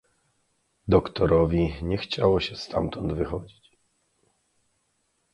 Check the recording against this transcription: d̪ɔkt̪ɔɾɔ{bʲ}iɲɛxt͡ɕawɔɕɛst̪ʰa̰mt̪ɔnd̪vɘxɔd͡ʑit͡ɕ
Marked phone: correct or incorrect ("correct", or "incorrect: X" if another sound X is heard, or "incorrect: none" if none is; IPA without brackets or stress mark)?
incorrect: vʲ